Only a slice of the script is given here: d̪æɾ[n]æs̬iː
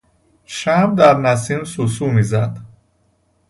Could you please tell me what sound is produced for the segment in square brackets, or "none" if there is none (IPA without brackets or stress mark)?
n